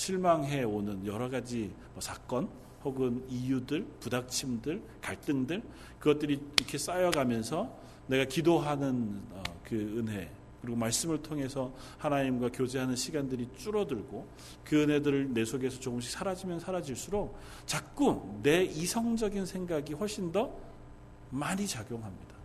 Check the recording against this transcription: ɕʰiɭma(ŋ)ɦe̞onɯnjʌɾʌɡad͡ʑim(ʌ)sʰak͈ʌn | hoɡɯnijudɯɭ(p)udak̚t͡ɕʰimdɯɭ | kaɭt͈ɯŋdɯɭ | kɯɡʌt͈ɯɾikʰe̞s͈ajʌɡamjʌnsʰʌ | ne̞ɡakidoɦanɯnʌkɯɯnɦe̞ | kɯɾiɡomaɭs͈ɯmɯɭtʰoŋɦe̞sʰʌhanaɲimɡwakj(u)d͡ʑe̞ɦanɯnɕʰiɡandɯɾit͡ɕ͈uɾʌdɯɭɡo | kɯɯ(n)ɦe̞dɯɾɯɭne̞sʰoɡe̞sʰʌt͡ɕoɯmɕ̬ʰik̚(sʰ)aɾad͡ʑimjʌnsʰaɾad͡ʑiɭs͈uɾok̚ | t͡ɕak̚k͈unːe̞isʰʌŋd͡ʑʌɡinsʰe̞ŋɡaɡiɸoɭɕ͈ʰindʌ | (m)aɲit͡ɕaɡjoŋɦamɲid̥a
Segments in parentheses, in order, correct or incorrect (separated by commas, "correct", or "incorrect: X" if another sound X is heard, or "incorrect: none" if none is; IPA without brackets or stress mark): correct, correct, correct, incorrect: o, correct, correct, correct